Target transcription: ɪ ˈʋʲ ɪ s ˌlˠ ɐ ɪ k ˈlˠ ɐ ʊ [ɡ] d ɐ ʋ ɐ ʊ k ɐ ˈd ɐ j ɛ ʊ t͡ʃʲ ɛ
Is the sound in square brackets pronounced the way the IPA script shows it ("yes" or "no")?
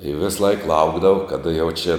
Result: yes